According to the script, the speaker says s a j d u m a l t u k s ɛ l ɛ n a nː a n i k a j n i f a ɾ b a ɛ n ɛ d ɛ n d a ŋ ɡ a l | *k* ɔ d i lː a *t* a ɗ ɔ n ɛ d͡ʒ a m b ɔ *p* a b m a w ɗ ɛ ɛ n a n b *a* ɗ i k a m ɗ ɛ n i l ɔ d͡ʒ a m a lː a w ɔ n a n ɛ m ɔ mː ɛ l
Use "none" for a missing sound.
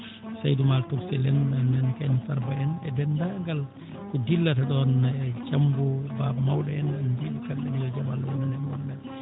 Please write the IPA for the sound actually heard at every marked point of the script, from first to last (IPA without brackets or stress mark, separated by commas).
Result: k, t, b, i